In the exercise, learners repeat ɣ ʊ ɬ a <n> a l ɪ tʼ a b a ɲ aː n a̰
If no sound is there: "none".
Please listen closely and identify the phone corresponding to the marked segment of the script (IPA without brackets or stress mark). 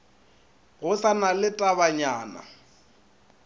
n